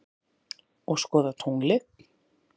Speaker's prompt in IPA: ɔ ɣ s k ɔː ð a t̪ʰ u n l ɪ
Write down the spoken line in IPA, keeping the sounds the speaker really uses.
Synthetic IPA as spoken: ɔ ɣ s k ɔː ð a t̪ʰ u ŋ l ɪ